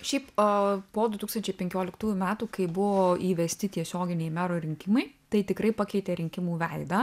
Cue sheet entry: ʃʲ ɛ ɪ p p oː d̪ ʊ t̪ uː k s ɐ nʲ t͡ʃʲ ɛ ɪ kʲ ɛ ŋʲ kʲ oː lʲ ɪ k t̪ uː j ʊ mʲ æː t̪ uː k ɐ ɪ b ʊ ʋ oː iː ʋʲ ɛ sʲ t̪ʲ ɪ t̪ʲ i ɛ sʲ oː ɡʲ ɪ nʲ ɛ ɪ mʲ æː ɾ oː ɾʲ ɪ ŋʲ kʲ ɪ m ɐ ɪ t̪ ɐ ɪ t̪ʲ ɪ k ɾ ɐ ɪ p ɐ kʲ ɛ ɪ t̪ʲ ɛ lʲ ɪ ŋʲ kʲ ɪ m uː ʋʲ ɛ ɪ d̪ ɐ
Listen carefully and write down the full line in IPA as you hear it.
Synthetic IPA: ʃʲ ɛ ɪ p p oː d̪ ʊ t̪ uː k s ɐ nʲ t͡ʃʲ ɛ ɪ pʲ ɛ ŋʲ kʲ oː lʲ ɪ k t̪ uː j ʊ mʲ æː t̪ uː k ɐ ɪ b ʊ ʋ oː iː ʋʲ ɛ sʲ t̪ʲ ɪ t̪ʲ i ɛ sʲ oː ɡʲ ɪ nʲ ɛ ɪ mʲ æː ɾ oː ɾʲ ɪ ŋʲ kʲ ɪ m ɐ ɪ t̪ ɐ ɪ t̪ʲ ɪ k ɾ ɐ ɪ p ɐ kʲ ɛ ɪ t̪ʲ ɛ ɾʲ ɪ ŋʲ kʲ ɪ m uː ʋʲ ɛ ɪ d̪ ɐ